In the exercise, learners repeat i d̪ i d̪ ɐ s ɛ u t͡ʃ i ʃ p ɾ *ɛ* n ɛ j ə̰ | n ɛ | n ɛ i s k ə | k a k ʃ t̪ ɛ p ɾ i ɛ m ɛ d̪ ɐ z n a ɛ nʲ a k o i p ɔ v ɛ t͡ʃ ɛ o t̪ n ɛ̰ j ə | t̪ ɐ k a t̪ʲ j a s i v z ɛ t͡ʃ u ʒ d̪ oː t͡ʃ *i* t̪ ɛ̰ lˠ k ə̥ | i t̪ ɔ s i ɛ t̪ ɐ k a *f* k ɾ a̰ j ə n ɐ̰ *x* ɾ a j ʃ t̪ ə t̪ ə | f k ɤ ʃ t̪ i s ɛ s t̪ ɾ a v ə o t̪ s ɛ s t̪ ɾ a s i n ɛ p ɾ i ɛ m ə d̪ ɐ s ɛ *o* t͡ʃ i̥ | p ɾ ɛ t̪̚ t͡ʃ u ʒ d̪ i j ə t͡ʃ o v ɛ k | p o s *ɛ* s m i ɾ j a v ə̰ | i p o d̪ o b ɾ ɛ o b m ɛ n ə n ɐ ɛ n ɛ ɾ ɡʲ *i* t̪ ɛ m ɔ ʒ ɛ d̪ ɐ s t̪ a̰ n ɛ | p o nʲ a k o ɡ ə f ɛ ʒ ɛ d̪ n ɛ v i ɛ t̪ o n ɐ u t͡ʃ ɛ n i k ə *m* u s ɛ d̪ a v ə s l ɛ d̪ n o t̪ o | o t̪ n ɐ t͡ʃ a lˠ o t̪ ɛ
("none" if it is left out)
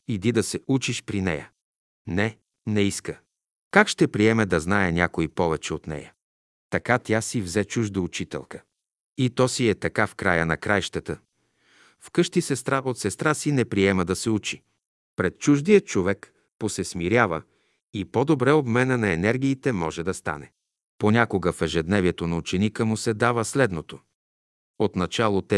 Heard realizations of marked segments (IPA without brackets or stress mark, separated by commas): i, i, f, k, u, ɛ, iː, m